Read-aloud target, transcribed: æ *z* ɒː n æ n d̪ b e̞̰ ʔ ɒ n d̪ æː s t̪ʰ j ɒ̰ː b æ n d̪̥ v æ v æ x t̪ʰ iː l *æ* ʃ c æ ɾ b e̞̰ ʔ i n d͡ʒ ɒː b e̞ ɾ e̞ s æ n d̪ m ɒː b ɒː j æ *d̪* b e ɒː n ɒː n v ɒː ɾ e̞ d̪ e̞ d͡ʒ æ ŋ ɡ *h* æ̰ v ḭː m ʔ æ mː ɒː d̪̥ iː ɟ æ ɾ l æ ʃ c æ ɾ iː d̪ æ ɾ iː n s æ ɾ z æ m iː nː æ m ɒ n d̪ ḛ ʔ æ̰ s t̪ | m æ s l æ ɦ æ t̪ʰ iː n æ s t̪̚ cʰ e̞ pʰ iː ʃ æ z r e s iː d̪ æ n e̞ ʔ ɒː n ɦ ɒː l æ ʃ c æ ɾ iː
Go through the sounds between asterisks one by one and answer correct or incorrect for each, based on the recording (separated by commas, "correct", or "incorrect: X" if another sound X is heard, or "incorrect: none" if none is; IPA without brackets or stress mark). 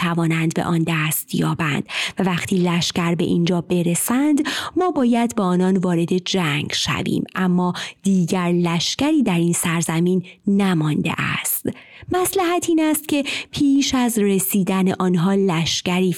incorrect: v, correct, correct, incorrect: ʃ